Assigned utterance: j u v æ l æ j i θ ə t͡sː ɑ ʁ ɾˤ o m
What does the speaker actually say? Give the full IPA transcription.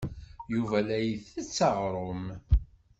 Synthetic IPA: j u v æ l æ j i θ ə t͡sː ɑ ʁ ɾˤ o m